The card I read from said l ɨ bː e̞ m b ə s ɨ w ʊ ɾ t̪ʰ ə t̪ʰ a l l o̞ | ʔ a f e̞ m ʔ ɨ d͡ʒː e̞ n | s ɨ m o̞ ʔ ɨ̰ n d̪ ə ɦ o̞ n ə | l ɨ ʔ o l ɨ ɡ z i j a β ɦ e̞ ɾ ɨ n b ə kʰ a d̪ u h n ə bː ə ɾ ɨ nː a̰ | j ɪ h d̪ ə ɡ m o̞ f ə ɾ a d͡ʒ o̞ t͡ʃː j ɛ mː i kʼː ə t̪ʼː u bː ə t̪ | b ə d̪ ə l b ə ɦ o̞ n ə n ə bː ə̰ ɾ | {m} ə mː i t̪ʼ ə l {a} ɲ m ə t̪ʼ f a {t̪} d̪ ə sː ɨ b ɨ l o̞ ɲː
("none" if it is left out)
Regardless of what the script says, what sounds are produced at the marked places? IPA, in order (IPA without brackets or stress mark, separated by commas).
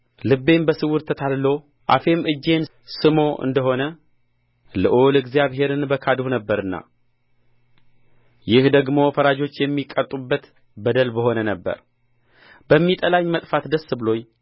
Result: b, a, t̪